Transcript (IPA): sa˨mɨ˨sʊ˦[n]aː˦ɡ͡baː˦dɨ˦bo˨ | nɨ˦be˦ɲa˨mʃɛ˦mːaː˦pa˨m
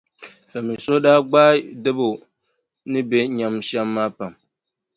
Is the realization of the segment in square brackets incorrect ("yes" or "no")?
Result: yes